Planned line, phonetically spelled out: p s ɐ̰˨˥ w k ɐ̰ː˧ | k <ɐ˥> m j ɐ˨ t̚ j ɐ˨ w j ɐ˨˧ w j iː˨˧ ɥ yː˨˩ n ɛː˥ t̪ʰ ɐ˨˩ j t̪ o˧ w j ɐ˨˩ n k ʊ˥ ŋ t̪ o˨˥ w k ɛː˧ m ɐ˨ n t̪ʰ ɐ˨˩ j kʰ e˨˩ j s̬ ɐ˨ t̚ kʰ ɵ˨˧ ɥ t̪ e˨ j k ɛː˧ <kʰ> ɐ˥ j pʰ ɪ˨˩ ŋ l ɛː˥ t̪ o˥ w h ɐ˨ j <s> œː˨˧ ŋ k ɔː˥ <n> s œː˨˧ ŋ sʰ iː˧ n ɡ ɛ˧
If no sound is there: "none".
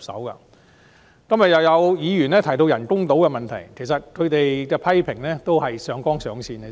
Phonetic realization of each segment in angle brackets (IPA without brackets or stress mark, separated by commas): ɐ˥, pʰ, s, ŋ